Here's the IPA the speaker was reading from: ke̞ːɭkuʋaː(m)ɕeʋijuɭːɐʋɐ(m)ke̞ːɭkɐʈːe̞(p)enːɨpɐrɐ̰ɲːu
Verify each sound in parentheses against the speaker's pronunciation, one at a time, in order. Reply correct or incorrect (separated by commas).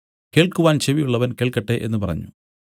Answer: incorrect, incorrect, incorrect